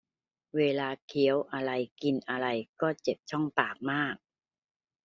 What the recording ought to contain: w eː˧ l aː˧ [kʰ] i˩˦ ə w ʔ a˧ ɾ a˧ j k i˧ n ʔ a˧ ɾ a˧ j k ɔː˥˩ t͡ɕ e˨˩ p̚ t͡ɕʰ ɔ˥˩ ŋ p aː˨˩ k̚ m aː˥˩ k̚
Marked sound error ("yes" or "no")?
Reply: no